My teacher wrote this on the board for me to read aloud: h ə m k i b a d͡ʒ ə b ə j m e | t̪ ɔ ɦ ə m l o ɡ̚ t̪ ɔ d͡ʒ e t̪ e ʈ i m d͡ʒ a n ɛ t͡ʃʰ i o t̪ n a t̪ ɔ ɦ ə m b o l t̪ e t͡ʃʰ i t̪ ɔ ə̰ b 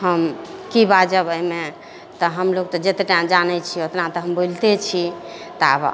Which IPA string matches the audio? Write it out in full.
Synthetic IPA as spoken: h ə m k i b a d͡ʒ ə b ə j m e | t̪ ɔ ɦ ə m l o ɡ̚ t̪ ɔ d͡ʒ e t̪ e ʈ a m d͡ʒ a n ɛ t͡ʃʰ i o t̪ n a t̪ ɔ ɦ ə m b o l t̪ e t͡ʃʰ i t̪ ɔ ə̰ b